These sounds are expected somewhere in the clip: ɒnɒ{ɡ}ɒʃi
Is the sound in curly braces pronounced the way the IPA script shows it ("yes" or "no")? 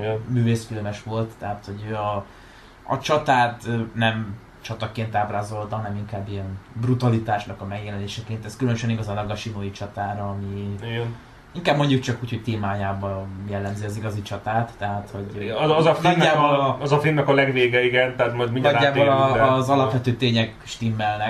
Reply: yes